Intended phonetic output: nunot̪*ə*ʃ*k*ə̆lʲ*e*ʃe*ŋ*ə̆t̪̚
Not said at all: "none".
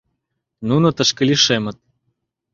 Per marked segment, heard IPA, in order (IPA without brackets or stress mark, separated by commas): ə, k, i, m